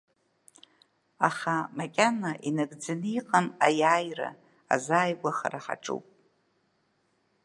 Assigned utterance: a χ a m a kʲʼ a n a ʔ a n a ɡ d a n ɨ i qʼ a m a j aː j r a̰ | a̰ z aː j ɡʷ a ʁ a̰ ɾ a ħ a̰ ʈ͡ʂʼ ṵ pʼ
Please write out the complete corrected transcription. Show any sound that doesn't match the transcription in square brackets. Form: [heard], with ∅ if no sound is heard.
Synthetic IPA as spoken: a χ a m a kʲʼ a n a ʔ [i] n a ɡ [d͡z] a n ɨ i qʼ a m a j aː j r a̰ | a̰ z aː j ɡʷ a [χ] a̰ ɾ a ħ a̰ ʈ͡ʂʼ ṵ pʼ